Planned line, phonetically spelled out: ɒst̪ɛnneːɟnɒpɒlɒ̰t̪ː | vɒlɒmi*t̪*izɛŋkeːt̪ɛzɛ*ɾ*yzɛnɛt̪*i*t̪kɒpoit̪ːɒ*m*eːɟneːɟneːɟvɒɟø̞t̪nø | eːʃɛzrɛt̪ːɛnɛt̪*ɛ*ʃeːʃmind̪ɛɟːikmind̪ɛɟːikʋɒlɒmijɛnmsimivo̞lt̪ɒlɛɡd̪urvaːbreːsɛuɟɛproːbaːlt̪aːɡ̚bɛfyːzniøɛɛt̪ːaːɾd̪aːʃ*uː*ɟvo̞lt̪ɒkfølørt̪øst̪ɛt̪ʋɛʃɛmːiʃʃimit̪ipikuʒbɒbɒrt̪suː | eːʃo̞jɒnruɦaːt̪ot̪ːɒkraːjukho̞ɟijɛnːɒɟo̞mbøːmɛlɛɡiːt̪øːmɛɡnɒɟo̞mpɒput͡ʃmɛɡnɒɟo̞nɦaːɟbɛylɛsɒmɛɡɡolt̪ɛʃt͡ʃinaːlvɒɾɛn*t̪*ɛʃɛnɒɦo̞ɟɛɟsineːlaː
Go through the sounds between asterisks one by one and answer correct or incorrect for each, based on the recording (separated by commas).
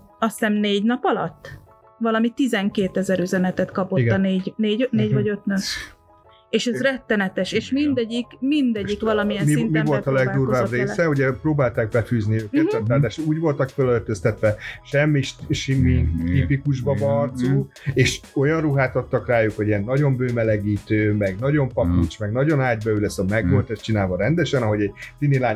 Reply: correct, correct, incorrect, incorrect, correct, correct, incorrect